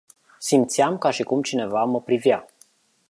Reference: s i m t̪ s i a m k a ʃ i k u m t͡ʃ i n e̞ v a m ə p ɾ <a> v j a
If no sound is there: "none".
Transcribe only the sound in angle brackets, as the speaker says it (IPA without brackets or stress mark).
i